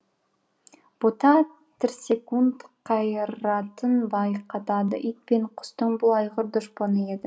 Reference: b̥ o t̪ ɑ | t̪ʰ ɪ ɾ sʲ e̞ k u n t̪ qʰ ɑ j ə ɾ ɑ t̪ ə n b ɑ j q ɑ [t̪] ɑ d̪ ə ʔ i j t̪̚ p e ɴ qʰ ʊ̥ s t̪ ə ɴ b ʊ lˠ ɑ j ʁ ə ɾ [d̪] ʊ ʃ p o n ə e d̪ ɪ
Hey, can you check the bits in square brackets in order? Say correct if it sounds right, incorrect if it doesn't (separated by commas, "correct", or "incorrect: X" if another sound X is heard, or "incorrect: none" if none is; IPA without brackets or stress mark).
correct, correct